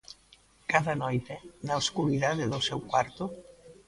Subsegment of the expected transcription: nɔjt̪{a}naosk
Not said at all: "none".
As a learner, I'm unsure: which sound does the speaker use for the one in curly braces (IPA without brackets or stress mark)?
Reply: e